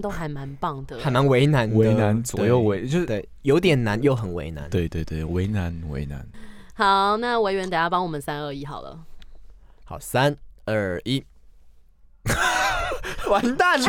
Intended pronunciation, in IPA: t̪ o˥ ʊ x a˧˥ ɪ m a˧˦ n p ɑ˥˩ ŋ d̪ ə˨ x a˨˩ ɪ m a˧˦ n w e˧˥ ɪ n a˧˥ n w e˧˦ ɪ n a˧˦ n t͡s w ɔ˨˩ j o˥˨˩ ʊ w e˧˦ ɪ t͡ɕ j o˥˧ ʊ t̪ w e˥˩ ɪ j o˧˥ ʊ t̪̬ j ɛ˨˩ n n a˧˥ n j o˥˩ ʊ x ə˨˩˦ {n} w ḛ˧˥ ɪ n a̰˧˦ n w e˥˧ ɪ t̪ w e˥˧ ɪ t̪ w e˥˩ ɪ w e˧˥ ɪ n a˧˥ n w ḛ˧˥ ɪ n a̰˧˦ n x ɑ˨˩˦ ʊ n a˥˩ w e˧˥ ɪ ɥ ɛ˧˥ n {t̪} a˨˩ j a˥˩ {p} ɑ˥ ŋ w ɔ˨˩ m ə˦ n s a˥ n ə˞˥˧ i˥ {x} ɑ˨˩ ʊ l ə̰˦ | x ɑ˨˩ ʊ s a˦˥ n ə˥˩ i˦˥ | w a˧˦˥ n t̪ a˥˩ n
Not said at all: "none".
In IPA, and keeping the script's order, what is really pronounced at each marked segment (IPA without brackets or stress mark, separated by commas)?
n, t̪, p, x